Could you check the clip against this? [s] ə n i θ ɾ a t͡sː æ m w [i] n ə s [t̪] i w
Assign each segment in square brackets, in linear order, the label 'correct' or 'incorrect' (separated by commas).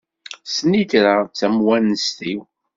correct, incorrect, correct